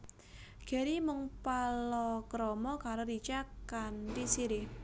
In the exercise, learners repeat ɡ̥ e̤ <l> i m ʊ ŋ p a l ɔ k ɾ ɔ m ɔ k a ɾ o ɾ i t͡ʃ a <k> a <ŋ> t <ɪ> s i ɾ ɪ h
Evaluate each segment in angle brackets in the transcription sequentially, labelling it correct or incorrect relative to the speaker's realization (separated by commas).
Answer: incorrect, correct, incorrect, incorrect